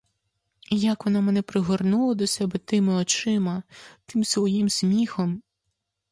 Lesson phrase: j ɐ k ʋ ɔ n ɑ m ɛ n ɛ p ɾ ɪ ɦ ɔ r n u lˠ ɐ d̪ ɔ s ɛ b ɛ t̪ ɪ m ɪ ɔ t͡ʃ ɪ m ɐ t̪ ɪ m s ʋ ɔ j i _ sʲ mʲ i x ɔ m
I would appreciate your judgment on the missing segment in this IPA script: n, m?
m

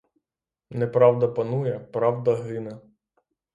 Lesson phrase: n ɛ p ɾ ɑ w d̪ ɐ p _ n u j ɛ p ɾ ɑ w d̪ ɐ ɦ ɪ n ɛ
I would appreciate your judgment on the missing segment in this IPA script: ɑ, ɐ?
ɐ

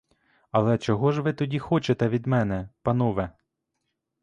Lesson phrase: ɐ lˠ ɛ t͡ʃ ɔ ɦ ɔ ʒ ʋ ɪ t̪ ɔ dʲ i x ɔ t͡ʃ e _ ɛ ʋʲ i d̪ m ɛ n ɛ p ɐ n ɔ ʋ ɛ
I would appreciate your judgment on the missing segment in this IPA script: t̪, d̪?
t̪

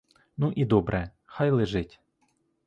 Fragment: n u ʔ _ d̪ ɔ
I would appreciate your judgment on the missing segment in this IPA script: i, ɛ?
i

